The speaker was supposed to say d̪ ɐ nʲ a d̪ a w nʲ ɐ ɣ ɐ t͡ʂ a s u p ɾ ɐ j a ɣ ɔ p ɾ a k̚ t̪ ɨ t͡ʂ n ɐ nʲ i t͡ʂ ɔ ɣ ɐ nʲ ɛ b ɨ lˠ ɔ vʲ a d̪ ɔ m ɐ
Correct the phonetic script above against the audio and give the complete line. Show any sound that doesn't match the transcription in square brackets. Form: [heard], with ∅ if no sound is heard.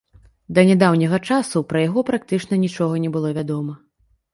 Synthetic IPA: d̪ ɐ nʲ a d̪ a w nʲ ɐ ɣ ɐ t͡ʂ a s u p ɾ ɐ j a ɣ ɔ p ɾ a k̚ t̪ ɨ t͡ʂ n ɐ nʲ i t͡ʂ ɔ ɣ ɐ nʲ ɛ b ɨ lˠ ɔ vʲ a d̪ ɔ m ɐ